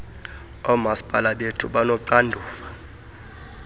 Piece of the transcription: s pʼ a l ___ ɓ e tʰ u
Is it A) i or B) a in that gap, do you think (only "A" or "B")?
B